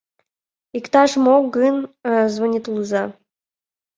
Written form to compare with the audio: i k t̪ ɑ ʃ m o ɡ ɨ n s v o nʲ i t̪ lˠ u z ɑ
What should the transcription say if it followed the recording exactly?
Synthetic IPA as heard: i k t̪ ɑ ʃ m o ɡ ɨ n z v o nʲ i t̪ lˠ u z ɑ

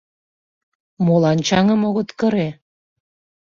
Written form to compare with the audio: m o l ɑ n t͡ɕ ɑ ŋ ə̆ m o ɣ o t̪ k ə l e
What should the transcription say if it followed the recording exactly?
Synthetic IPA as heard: m o l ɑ n t͡ɕ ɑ ŋ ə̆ m o ɣ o t̪ k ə ɾ e

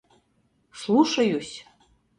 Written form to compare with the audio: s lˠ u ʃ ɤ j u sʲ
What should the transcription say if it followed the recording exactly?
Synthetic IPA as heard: s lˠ u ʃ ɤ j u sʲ

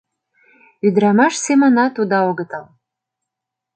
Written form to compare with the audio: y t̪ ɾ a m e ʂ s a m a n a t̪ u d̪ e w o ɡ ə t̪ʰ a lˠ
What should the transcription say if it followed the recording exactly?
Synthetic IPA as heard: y d̪ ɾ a m a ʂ s e m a n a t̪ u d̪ a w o ɡ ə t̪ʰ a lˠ

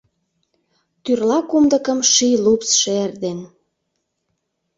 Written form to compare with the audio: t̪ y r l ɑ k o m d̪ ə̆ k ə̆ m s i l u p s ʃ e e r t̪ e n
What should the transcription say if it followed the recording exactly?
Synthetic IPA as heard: t̪ y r l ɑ k u m d̪ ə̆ k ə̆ m ʃ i l u p s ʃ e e r d̪ e n

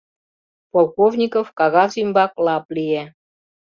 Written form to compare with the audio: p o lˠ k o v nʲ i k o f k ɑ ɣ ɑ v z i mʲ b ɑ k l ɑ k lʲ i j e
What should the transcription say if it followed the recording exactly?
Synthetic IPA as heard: p o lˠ k o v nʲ i k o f k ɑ ɣ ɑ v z i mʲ b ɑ k l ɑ p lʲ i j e

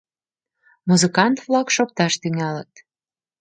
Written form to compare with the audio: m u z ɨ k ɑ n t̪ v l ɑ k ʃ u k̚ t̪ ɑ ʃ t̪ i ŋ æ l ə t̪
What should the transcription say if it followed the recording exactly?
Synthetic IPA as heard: m u z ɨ k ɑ n t̪ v l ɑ k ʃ o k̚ t̪ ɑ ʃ t̪ y ŋ æ l ə t̪

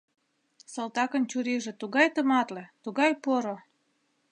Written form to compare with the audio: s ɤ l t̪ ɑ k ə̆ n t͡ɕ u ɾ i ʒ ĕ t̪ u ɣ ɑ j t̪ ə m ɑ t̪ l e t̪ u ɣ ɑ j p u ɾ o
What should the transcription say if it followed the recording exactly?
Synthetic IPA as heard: s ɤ l t̪ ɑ k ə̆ n t͡ɕ u ɾ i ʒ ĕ t̪ u ɣ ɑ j t̪ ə m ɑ t̪ l e t̪ u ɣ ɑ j p o ɾ o

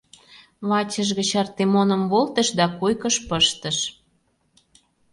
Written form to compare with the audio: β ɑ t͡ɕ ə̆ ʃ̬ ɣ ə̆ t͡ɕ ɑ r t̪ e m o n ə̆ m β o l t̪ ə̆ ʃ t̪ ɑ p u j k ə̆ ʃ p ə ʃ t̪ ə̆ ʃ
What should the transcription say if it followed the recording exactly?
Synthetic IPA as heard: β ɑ t͡ɕ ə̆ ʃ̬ ɣ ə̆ t͡ɕ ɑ r t̪ e m o n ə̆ m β o l t̪ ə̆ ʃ d̪ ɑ k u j k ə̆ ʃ p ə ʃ t̪ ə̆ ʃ

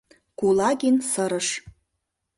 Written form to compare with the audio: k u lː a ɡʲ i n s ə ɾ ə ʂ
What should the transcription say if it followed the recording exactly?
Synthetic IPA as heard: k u l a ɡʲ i n s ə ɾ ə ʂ

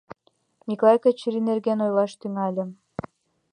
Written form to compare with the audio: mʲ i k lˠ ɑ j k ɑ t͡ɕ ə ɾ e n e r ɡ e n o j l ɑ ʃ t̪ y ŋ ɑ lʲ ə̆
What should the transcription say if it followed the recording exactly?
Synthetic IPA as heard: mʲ i k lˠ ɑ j k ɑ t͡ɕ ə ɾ i n e r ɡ e n o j l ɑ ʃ t̪ y ŋ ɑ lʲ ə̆

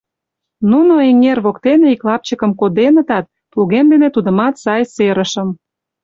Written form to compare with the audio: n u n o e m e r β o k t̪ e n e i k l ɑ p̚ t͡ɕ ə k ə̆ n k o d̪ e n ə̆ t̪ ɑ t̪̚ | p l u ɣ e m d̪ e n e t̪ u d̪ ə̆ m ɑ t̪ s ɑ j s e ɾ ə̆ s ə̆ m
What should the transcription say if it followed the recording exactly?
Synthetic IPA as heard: n u n o e ŋ e r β o k t̪ e n e i k l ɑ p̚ t͡ɕ ə k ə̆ m k o d̪ e n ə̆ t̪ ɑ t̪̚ | p l u ɣ e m d̪ e n e t̪ u d̪ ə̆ m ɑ t̪ s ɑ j s e ɾ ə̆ ʃ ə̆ m

